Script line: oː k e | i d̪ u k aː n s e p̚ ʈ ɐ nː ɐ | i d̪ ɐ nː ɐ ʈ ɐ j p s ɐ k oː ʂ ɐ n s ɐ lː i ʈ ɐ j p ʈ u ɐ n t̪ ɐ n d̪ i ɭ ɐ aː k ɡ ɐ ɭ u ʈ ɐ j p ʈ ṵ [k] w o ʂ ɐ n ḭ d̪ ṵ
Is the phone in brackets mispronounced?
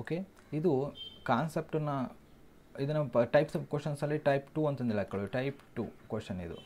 no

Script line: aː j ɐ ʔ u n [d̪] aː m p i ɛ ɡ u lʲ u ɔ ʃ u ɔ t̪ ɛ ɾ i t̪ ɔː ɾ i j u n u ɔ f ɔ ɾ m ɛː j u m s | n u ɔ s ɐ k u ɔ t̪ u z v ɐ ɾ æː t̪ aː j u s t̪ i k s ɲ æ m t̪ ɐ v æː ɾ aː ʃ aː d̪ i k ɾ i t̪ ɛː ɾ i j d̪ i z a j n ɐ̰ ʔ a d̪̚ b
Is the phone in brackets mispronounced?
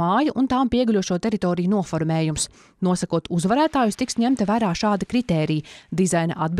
yes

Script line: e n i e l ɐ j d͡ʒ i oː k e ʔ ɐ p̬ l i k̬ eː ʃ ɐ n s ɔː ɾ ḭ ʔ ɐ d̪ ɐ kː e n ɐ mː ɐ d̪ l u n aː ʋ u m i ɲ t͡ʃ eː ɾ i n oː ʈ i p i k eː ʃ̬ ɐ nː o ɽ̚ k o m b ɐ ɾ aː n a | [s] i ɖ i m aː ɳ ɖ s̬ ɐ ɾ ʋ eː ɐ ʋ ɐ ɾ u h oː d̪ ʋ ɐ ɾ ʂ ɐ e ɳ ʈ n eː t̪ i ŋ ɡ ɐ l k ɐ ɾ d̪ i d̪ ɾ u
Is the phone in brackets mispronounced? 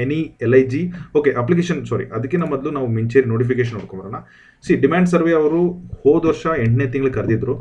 no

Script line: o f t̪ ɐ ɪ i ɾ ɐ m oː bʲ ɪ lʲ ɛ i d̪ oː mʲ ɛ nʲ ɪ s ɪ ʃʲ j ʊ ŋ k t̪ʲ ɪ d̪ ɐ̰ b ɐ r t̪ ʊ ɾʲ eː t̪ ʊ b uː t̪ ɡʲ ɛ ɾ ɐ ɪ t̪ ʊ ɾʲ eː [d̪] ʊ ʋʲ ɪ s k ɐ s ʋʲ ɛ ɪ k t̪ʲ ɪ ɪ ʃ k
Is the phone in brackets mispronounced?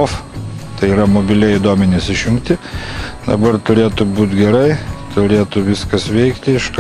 yes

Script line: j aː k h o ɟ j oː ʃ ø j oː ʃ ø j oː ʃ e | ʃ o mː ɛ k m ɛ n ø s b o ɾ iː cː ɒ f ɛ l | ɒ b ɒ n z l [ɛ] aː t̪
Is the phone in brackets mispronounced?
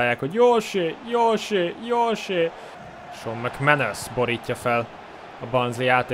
yes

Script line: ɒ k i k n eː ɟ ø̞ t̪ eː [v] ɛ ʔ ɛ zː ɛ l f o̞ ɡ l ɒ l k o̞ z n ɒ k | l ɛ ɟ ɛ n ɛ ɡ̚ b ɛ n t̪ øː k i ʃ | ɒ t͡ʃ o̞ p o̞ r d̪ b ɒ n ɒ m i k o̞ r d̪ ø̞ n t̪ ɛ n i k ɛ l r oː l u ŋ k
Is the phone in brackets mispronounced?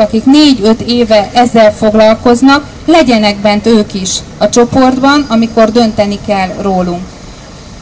no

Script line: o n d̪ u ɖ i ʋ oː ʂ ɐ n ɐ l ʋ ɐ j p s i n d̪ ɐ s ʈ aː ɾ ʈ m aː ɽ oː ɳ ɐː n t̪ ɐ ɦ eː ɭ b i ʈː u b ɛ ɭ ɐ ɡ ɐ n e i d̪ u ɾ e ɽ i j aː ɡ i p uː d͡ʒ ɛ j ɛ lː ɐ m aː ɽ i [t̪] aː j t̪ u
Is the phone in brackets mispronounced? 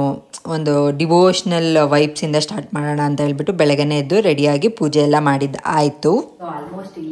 yes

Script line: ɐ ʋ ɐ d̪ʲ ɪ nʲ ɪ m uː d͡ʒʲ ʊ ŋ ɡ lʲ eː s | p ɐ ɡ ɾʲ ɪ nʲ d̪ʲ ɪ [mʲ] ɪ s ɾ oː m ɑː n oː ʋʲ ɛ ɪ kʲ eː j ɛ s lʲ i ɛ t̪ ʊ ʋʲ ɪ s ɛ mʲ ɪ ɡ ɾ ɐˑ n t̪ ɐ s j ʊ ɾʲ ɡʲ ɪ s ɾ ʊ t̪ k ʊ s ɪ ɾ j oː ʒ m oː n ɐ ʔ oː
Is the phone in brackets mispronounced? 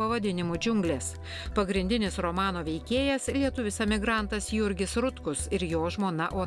yes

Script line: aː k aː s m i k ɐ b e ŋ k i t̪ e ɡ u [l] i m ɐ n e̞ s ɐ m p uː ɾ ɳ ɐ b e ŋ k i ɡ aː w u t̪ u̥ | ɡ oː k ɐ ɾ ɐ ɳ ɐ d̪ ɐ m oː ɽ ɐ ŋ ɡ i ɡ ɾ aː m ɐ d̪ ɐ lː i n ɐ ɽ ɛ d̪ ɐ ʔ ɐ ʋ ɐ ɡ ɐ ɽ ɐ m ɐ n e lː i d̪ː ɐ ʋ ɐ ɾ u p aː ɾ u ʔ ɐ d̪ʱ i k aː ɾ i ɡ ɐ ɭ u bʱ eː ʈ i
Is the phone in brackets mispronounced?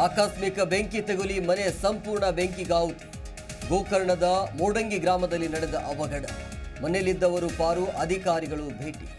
no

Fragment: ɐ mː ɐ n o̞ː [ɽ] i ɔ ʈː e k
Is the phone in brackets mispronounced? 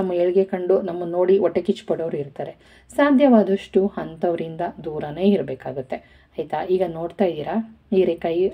no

